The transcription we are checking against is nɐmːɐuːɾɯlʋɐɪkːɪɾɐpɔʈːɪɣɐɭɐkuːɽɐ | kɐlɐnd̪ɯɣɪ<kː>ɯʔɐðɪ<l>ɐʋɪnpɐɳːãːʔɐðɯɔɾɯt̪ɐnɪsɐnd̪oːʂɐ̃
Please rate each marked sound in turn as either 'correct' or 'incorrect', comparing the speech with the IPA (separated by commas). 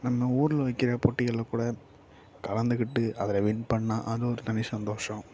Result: incorrect, correct